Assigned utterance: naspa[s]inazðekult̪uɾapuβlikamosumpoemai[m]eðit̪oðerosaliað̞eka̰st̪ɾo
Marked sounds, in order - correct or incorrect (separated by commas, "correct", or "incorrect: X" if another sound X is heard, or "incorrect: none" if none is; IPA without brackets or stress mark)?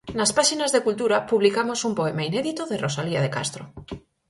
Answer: incorrect: ʃ, incorrect: n